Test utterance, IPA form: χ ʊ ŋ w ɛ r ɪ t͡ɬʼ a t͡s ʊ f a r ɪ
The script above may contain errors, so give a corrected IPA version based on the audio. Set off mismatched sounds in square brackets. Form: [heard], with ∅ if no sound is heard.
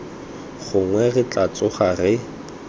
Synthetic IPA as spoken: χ ʊ ŋ w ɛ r ɪ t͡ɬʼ a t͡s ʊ [χ] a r ɪ